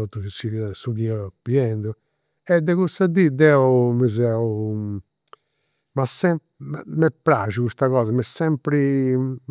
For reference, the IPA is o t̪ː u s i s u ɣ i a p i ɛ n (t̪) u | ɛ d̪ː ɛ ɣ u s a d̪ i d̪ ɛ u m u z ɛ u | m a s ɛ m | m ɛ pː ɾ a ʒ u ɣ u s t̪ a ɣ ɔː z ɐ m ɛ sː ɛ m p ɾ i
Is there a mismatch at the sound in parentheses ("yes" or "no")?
yes